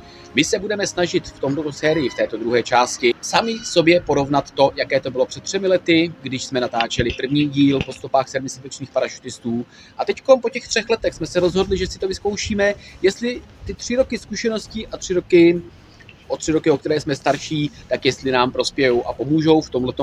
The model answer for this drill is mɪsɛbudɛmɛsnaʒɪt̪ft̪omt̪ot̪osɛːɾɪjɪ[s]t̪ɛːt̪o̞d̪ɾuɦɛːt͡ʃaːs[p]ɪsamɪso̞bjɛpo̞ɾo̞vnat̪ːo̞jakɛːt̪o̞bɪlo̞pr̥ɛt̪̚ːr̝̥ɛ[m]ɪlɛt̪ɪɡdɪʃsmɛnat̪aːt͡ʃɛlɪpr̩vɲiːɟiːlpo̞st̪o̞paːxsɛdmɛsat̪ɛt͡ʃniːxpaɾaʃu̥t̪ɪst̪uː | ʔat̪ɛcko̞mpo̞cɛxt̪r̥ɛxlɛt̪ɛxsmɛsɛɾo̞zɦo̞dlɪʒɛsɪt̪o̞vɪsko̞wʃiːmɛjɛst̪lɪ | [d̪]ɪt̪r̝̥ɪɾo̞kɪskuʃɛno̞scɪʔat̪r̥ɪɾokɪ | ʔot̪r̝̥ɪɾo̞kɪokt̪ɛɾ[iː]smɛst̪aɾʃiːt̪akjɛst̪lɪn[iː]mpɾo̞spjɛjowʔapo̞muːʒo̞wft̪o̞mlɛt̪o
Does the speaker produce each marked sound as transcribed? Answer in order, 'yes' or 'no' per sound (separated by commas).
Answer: no, no, yes, no, no, no